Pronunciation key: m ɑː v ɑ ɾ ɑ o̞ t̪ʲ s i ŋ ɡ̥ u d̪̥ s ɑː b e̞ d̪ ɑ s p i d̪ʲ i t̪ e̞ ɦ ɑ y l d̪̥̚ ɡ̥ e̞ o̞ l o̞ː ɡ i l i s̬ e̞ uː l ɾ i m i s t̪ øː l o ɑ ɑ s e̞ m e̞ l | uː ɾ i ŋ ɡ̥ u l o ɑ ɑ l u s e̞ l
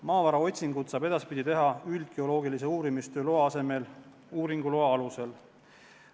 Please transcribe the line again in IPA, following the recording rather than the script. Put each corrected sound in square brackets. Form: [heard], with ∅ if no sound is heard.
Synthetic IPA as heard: m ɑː v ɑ ɾ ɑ o̞ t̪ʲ s i ŋ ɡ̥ u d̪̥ s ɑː b e̞ d̪ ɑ s p i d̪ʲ i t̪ e̞ ɦ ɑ y l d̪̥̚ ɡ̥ e̞ o̞ l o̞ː ɡ i l i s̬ e̞ uː [∅] ɾ i m i s t̪ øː l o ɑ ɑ s e̞ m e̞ l | uː ɾ i ŋ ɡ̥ u l o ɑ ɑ l u s e̞ l